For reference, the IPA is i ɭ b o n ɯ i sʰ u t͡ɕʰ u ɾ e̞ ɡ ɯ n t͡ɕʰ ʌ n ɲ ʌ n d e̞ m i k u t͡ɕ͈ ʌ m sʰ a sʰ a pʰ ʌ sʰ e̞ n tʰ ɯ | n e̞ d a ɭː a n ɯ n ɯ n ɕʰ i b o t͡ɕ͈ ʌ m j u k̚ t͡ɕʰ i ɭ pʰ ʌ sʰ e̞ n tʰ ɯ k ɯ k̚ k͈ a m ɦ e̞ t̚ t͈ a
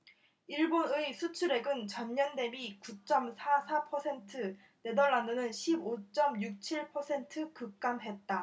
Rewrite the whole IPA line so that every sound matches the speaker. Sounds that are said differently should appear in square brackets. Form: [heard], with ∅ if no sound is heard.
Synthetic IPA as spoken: i ɭ b o n ɯ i sʰ u t͡ɕʰ u ɾ e̞ ɡ ɯ n [t͡ɕ] ʌ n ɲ ʌ n d e̞ m i k u t͡ɕ͈ ʌ m sʰ a sʰ a pʰ ʌ sʰ e̞ n tʰ ɯ | n e̞ d [ʌ] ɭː a n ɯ n ɯ n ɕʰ i b o t͡ɕ͈ ʌ m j u k̚ t͡ɕʰ i ɭ pʰ ʌ sʰ e̞ n tʰ ɯ k ɯ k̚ k͈ a m ɦ e̞ t̚ t͈ a